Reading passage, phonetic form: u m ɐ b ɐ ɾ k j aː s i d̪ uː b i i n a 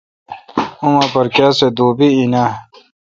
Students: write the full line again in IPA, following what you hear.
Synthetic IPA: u m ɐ p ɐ ɾ k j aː s e d̪ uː b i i n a